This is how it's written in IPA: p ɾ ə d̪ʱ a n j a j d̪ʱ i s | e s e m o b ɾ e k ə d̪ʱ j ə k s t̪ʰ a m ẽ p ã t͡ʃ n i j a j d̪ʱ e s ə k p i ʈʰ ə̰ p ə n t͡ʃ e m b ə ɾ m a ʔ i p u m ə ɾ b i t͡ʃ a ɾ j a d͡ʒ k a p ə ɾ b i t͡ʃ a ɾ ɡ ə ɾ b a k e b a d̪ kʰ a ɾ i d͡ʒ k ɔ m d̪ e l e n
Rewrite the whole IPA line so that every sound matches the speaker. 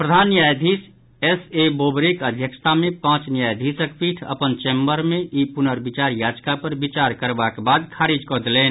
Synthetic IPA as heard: p ɾ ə d̪ʱ a n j a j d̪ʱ i s | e s e b o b ɾ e k ə d̪ʱ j ə k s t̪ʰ a m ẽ p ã t͡ʃ n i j a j d̪ʱ i s ə k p i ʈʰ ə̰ p ə n t͡ʃ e m b ə ɾ m e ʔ i p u n ə ɾ b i t͡ʃ a ɾ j a d͡ʒ k a p ə ɾ b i t͡ʃ a ɾ k ə ɾ b a k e b a d̪ kʰ a ɾ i d͡ʒ k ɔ d̪ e l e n